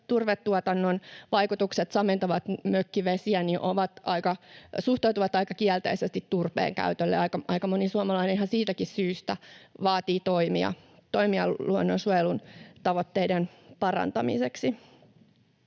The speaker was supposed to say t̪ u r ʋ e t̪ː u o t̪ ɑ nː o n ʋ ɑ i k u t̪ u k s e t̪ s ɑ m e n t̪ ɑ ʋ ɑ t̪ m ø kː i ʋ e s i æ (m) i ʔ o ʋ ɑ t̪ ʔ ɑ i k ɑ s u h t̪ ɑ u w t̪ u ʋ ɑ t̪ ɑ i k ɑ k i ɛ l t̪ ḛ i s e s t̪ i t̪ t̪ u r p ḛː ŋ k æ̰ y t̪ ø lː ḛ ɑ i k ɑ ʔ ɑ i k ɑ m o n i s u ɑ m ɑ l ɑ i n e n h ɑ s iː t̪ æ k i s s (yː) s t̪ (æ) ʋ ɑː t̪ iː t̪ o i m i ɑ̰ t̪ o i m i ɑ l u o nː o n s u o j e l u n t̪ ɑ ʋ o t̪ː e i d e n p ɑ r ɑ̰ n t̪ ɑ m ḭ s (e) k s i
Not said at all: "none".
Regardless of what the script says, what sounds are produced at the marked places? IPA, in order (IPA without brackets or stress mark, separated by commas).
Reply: n, yː, æ, e